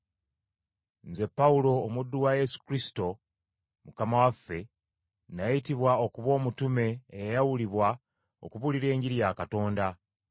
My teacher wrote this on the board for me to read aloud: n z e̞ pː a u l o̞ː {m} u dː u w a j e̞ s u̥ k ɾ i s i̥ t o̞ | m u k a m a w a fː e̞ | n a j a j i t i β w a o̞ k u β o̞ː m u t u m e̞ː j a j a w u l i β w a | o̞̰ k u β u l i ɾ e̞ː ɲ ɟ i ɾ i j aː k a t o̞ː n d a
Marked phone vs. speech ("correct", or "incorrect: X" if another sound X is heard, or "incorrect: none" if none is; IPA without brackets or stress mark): correct